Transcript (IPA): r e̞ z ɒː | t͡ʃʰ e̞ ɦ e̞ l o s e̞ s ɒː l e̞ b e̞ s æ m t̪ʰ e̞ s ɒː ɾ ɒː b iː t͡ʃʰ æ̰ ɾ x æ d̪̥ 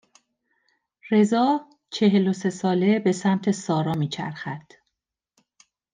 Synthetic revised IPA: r e̞ z ɒː | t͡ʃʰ e̞ ɦ e̞ l o s e̞ s ɒː l e̞ b e̞ s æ m t̪ʰ e̞ s ɒː ɾ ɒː m iː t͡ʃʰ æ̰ ɾ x æ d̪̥